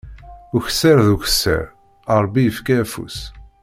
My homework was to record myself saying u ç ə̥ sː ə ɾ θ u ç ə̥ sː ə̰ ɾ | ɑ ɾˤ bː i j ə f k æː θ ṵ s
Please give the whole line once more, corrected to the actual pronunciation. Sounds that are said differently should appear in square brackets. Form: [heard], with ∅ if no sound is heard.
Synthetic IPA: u ç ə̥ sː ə ɾ [ð] u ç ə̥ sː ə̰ ɾ | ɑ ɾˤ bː i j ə f k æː [f] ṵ s

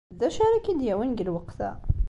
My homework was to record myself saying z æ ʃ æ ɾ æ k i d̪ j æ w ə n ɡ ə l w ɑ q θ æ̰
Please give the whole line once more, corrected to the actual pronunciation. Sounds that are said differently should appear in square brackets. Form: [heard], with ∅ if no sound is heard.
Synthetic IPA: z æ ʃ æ ɾ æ k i d̪ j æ w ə n ɡ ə l w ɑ q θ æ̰

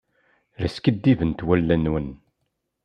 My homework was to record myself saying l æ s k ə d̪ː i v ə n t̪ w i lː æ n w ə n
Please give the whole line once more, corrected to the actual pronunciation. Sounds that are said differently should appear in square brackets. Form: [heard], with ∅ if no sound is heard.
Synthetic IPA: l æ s k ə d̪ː i v ə n t̪ w [æ] lː æ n w ə n

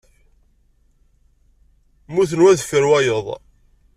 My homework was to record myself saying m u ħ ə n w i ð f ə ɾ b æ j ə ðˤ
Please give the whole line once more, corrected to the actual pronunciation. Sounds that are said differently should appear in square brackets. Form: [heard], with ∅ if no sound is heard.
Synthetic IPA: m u [θ] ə n w [æ] ð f ə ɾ [w] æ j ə ðˤ

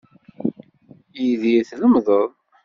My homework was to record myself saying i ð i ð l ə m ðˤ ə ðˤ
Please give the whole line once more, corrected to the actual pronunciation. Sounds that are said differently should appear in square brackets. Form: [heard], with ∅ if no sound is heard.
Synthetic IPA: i ð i [θ] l ə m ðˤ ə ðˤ

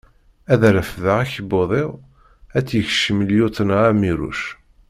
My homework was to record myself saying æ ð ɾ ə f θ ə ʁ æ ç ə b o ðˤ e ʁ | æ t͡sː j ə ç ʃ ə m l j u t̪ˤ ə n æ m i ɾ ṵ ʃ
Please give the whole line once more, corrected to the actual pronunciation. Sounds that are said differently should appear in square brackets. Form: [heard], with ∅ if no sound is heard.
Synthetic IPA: æ ð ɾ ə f [ð] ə ʁ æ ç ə b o ðˤ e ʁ | æ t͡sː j ə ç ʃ ə m l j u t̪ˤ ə n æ m i ɾ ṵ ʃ

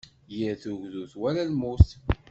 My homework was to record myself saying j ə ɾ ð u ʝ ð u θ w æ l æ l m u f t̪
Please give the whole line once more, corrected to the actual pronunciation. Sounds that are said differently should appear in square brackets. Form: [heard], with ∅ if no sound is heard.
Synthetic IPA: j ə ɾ [θ] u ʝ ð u θ w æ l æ l m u [s] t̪

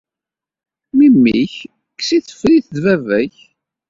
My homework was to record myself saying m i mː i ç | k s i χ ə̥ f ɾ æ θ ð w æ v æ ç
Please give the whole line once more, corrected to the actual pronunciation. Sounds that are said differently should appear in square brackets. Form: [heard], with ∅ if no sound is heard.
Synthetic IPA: m i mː i ç | k s i [θ] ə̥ f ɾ [i] θ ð [v] æ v æ ç

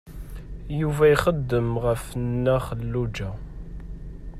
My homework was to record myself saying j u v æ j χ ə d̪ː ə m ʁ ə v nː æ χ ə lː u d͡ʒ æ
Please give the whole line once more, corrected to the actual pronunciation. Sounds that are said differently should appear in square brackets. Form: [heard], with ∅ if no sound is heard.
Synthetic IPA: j u v æ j χ ə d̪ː ə m ʁ ə [f] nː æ χ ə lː u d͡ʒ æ

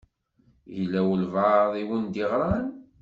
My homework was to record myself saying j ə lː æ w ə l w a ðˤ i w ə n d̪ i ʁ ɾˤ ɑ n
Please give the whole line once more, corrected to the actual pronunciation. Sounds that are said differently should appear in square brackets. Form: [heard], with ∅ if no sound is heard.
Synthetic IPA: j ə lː æ w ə l [v] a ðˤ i w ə n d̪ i ʁ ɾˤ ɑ n

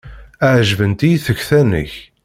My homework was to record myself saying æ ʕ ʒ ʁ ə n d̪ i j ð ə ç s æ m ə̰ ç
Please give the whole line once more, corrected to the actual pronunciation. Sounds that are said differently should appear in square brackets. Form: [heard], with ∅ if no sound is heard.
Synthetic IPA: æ ʕ ʒ [v] ə n [t̪] i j [θ] ə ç [θ] æ [n] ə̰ ç

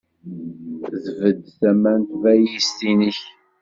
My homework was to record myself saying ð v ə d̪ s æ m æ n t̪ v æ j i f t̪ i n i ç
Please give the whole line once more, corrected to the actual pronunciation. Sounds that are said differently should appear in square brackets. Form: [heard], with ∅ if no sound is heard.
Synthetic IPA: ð v ə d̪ [θ] æ m æ n t̪ v æ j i [s] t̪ i n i ç

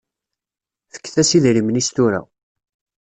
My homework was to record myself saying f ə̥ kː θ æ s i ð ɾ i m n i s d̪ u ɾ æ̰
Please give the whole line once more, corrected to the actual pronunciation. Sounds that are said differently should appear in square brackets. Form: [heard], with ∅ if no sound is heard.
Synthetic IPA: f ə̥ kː θ æ s i ð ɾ i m n i s [t̪] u ɾ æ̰

